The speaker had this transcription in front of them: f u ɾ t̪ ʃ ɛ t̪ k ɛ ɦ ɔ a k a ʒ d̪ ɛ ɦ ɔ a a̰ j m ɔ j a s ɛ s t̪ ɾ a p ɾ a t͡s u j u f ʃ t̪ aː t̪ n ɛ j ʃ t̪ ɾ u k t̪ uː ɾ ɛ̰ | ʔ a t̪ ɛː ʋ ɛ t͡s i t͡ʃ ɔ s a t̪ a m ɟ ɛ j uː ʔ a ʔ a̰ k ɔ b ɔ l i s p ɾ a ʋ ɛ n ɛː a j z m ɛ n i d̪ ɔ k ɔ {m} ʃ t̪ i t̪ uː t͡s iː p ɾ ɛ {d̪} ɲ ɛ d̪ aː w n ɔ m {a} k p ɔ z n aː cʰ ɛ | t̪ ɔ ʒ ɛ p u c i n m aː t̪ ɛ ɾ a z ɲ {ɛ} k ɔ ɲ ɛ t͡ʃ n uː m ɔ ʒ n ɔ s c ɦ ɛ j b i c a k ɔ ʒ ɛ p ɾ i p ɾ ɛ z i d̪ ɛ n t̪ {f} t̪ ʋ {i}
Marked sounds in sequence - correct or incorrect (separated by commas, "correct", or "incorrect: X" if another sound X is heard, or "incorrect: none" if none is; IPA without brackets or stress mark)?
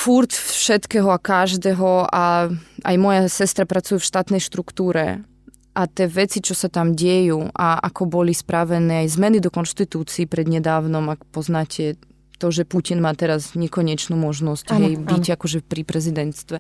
incorrect: n, correct, correct, correct, incorrect: s, incorrect: ɛ